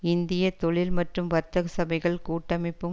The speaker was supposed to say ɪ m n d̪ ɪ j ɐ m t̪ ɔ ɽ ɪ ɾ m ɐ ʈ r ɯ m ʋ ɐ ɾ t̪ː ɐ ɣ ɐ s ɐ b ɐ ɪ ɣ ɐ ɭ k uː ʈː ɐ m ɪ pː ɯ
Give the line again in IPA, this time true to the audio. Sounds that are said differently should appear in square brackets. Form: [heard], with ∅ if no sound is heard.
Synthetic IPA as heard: ɪ [∅] n d̪ ɪ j ɐ [∅] t̪ ɔ [ɭ] ɪ [l] m ɐ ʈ r ɯ m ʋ ɐ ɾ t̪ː ɐ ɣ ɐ s ɐ b ɐ ɪ ɣ ɐ ɭ k uː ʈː ɐ m ɪ pː ɯ